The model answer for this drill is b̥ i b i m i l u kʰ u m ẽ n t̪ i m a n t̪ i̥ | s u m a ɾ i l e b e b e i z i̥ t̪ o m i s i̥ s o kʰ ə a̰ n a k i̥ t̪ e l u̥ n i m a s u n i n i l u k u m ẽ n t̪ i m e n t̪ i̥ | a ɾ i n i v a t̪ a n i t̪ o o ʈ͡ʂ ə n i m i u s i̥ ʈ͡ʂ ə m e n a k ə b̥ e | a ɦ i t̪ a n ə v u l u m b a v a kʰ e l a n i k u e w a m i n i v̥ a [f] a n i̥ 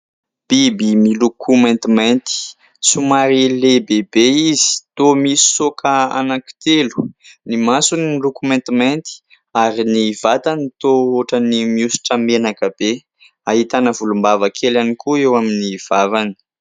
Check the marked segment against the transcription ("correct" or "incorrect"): incorrect